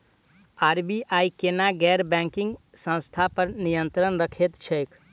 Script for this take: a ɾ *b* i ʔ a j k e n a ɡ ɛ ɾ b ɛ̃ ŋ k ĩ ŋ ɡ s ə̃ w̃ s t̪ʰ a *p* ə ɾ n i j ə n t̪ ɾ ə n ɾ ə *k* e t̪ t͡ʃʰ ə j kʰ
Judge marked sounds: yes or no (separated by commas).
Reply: yes, yes, no